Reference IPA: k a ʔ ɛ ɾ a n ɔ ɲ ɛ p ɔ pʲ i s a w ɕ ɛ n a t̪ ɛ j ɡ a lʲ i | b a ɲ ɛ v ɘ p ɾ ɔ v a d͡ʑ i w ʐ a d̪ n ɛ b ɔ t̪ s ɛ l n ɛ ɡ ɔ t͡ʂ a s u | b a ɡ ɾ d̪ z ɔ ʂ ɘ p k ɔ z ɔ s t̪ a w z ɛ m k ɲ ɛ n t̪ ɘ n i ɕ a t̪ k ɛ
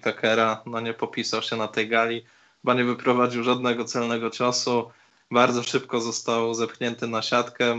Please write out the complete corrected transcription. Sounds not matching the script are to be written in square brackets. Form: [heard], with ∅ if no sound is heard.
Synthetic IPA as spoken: k a [k] ɛ ɾ a n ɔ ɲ ɛ p ɔ pʲ i s a w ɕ ɛ n a t̪ ɛ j ɡ a lʲ i | b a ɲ ɛ v ɘ p ɾ ɔ v a d͡ʑ i w ʐ a d̪ n ɛ [ɡ] ɔ t̪ s ɛ l n ɛ ɡ ɔ t͡ʂ a s u | b a [∅] ɾ d̪ z ɔ ʂ ɘ p k ɔ z ɔ s t̪ a w z ɛ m k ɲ ɛ n t̪ ɘ n [a] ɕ a t̪ k ɛ